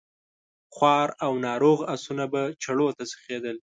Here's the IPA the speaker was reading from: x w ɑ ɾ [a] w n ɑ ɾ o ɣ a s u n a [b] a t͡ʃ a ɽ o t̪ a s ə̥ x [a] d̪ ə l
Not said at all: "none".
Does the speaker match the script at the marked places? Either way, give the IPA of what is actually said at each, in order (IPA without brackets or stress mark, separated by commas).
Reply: a, b, e